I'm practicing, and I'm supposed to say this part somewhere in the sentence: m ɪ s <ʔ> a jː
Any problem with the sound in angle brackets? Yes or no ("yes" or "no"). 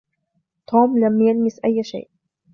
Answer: no